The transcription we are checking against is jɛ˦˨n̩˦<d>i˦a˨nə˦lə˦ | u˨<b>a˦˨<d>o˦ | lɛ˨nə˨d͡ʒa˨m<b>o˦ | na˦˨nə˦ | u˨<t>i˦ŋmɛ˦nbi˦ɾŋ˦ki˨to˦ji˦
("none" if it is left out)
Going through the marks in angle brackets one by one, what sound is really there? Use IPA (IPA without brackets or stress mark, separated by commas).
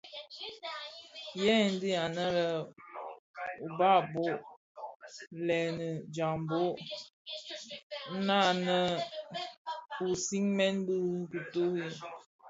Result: d, b, b, b, s